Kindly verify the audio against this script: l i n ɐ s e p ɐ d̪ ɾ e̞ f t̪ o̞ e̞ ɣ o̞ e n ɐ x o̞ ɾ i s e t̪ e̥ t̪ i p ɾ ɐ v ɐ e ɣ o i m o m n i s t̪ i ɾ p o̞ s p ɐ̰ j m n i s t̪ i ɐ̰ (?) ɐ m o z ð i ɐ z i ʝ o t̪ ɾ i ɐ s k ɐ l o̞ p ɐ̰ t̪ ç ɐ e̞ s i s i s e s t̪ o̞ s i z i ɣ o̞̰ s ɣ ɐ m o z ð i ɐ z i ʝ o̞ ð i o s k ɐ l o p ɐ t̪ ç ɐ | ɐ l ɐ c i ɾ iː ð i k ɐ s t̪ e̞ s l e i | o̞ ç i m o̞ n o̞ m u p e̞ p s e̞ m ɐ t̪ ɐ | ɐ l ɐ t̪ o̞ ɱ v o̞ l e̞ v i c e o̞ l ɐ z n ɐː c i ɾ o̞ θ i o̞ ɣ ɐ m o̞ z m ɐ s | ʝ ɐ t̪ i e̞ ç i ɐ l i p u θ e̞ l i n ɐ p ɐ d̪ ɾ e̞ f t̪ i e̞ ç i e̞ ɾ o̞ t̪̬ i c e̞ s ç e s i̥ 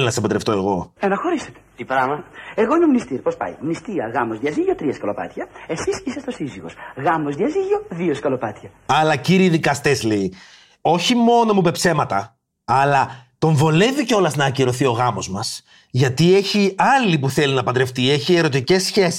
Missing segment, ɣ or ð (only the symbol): ɣ